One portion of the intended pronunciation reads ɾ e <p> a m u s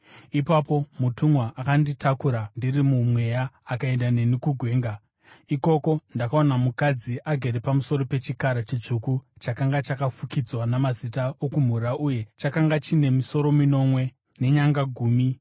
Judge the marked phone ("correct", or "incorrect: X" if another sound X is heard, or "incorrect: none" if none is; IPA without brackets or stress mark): correct